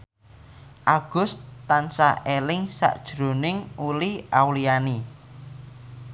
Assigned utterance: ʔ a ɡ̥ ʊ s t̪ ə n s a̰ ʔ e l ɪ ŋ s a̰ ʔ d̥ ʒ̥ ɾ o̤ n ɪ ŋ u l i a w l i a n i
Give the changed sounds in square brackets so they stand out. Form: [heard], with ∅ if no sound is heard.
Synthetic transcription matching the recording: ʔ a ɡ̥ ʊ s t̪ [a] n s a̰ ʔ e l ɪ ŋ s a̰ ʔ d̥ ʒ̥ ɾ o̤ n ɪ ŋ u l i a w l i a n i